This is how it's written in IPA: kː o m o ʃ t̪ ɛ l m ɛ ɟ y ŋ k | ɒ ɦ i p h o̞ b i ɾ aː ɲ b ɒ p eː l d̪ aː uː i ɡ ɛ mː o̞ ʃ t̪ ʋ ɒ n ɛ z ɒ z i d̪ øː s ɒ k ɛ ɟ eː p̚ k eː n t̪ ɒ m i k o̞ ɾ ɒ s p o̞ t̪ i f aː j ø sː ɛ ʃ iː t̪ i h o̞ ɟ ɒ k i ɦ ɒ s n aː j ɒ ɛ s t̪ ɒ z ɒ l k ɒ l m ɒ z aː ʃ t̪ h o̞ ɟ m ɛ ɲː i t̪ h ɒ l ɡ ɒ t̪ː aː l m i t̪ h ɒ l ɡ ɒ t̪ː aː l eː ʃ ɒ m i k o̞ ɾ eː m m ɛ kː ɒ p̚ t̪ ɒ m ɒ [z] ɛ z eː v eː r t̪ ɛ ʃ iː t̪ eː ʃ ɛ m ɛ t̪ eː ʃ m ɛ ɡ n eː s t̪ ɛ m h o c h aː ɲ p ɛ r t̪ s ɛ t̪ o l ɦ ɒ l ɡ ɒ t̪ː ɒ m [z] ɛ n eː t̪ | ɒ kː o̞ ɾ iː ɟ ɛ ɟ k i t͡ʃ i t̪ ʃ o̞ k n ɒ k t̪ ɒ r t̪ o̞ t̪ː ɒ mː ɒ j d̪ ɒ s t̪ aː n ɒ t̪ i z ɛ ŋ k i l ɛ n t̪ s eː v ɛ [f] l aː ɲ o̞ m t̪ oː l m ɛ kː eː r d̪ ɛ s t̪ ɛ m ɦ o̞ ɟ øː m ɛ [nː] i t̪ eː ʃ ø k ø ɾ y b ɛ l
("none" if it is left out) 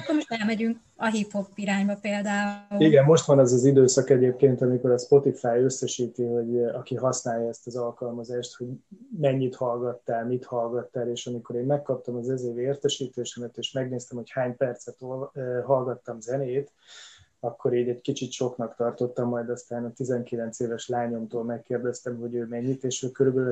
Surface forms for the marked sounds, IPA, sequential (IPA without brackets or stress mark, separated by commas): z, z, ʃ, ɲː